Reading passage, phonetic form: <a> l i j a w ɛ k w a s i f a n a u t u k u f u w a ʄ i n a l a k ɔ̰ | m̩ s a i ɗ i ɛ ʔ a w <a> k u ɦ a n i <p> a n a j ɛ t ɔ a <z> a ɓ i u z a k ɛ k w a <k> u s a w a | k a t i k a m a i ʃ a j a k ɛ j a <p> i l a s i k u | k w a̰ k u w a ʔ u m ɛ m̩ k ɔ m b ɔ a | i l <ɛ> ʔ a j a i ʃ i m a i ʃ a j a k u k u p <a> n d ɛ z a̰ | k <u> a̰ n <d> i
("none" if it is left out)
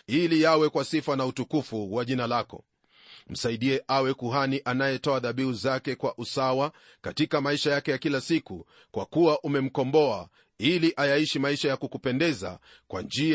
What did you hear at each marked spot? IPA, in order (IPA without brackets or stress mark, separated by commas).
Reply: i, ɛ, ʔ, ð, ʔ, k, i, ɛ, w, d͡ʒ